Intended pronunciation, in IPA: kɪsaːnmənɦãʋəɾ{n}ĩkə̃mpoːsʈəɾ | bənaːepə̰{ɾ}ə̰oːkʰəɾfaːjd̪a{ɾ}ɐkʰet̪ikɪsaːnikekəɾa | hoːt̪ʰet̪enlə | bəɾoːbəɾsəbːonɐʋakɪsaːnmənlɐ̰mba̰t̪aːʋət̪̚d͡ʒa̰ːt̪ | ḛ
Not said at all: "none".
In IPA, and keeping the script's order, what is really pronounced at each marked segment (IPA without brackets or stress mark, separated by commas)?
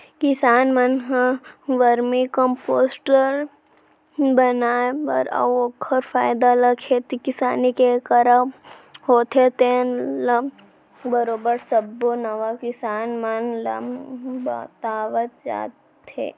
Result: m, ɾ, l